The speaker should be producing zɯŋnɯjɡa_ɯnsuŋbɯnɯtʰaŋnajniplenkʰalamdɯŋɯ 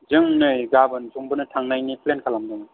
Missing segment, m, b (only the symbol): b